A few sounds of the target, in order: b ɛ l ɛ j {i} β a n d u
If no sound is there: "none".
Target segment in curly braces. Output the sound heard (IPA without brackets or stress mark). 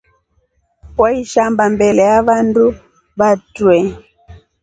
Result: a